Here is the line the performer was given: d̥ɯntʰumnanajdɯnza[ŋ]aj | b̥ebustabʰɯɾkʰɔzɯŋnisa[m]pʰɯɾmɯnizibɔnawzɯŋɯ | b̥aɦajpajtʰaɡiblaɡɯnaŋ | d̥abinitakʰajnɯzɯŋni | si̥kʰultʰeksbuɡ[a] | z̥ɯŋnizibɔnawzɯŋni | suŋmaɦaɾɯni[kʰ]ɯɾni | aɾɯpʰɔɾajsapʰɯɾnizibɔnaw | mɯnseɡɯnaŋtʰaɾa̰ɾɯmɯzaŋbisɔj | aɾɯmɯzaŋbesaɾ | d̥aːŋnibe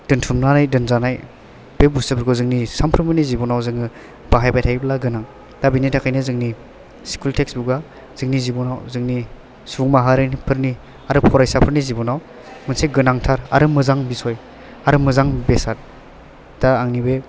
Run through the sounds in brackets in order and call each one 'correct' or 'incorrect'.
incorrect: n, correct, correct, incorrect: pʰ

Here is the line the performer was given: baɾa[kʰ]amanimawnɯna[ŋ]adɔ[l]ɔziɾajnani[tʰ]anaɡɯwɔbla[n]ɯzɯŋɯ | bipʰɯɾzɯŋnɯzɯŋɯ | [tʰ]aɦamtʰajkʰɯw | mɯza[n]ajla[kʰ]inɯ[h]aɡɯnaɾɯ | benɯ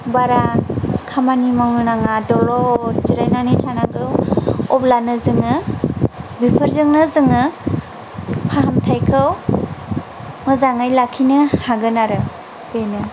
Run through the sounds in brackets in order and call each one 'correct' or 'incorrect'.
correct, correct, correct, correct, correct, incorrect: pʰ, incorrect: ŋ, correct, correct

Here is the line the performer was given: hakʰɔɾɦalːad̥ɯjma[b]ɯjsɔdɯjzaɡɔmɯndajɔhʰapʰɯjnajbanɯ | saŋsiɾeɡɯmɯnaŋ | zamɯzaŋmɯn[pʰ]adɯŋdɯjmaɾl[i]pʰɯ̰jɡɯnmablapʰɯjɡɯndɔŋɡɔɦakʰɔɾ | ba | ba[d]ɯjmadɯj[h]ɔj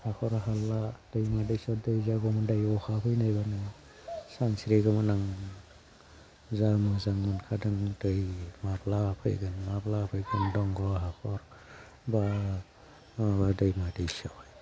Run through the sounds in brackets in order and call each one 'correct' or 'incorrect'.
incorrect: d, incorrect: kʰ, incorrect: a, correct, incorrect: s

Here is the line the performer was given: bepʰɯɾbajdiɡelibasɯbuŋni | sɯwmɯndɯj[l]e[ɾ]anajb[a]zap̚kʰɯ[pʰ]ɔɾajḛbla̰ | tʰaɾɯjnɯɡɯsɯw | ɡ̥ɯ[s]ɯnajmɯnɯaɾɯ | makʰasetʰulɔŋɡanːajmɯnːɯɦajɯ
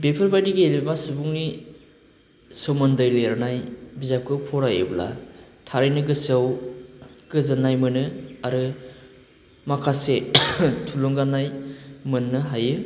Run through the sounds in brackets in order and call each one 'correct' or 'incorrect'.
correct, correct, incorrect: i, correct, incorrect: z

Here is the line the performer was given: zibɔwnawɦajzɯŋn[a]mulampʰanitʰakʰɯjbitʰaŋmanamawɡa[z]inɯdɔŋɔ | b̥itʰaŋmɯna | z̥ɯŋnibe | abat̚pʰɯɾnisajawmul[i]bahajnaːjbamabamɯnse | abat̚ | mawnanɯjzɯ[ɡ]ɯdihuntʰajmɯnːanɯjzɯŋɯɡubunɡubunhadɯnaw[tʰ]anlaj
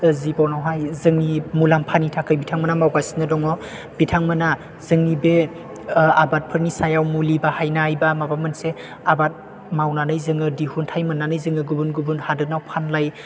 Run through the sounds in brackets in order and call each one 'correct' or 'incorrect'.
incorrect: i, incorrect: s, correct, incorrect: ŋ, incorrect: pʰ

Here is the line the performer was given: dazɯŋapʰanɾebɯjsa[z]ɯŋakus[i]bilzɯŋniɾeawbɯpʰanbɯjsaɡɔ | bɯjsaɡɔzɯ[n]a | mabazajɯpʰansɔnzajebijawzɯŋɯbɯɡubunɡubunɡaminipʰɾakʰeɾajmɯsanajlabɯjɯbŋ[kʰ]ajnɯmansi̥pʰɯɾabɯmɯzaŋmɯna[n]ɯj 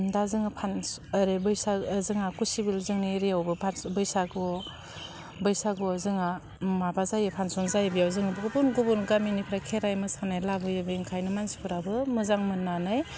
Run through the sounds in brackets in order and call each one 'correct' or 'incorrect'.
correct, correct, incorrect: ŋ, correct, correct

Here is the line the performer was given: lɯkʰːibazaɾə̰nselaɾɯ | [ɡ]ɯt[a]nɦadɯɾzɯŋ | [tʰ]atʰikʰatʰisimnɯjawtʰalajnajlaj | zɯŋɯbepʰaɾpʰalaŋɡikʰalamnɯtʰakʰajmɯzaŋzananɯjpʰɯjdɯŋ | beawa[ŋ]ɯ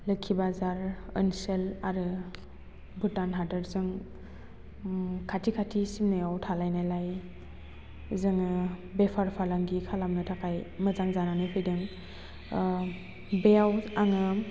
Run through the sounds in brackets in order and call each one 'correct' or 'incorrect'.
incorrect: b, correct, incorrect: kʰ, correct

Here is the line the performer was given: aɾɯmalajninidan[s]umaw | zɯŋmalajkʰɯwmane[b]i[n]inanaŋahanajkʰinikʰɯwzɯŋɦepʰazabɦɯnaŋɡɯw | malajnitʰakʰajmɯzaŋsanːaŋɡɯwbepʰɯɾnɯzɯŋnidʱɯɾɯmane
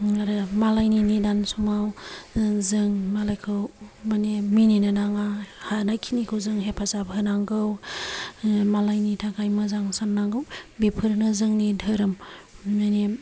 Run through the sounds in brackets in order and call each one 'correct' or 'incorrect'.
correct, incorrect: m, correct

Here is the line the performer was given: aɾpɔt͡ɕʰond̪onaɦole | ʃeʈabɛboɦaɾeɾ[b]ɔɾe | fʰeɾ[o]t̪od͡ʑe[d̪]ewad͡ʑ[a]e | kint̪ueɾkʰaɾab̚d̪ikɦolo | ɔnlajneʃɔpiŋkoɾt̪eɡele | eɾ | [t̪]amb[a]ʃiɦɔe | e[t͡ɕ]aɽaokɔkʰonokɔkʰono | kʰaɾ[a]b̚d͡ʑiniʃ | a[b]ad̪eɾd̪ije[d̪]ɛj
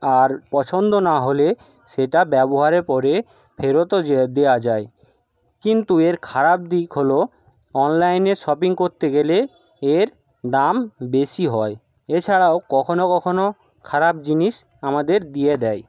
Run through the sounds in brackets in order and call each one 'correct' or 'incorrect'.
incorrect: p, correct, correct, correct, incorrect: d̪, incorrect: e, incorrect: t͡ɕʰ, correct, incorrect: m, correct

